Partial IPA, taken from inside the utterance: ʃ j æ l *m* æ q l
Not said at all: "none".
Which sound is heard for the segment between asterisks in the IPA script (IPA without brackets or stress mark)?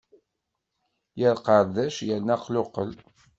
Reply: n